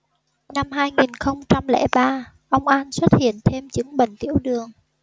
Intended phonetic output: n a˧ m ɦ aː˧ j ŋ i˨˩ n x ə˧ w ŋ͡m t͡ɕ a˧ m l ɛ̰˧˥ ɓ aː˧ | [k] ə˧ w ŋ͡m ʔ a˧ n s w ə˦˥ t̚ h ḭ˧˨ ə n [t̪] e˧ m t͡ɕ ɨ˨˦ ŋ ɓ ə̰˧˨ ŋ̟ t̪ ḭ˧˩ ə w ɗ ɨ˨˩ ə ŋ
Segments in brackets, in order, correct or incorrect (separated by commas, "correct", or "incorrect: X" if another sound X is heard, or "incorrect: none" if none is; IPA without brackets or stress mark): incorrect: ʔ, incorrect: t̪ʰ